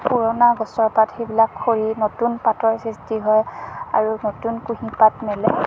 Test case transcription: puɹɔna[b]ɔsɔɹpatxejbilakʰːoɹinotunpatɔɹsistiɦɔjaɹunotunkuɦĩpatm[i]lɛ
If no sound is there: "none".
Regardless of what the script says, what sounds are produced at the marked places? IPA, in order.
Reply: ɡ, ɛ

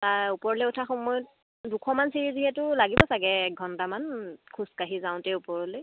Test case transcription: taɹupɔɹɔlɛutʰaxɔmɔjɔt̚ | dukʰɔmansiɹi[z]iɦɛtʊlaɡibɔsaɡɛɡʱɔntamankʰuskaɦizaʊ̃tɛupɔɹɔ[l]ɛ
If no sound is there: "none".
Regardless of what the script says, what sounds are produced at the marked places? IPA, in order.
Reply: z, l

